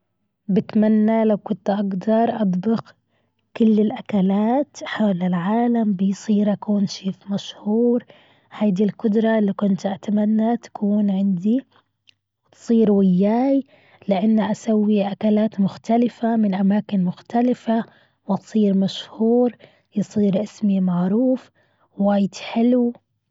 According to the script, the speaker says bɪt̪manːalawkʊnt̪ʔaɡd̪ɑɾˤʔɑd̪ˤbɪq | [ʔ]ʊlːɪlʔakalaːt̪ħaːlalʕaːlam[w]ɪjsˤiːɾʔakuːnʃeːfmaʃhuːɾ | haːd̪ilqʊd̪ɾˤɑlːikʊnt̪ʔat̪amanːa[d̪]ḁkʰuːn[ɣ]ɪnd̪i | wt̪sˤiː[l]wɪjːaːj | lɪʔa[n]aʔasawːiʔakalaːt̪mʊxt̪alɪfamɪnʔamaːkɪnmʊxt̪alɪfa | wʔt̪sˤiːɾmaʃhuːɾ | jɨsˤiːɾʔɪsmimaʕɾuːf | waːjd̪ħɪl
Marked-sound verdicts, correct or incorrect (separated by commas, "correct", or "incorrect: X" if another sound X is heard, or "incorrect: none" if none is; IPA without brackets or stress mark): incorrect: k, incorrect: b, incorrect: t̪, incorrect: ʕ, incorrect: ɾ, incorrect: nː